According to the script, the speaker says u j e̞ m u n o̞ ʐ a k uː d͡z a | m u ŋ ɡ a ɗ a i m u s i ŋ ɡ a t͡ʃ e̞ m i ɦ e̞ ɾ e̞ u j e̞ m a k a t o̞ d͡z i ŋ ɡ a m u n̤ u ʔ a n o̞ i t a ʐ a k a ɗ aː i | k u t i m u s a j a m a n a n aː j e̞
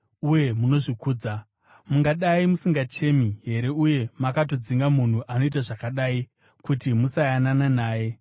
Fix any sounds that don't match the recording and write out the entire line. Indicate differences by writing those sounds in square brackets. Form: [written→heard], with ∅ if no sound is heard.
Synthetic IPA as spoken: u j e̞ m u n o̞ ʐ [a→i] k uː d͡z a | m u ŋ ɡ a ɗ a i m u s i ŋ ɡ a t͡ʃ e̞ m i ɦ e̞ ɾ e̞ u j e̞ m a k a t o̞ d͡z i ŋ ɡ a m u n̤ u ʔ a n o̞ i t a ʐ a k a ɗ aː i | k u t i m u s a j a [m→n] a n a n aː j e̞